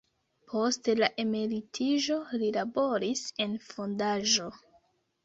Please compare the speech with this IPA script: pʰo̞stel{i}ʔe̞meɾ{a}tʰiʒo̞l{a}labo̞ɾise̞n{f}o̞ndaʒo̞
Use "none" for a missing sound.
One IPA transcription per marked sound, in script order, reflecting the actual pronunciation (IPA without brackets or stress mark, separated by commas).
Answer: a, i, i, f